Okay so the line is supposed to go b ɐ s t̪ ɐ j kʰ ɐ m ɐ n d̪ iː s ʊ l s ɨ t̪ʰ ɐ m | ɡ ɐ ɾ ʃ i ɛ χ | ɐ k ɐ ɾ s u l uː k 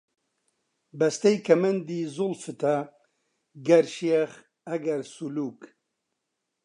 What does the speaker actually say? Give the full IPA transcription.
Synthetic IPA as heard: b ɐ s t̪ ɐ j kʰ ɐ m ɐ n d̪ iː z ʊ l f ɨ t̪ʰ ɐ | ɡ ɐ ɾ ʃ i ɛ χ | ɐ ɡ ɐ ɾ s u l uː k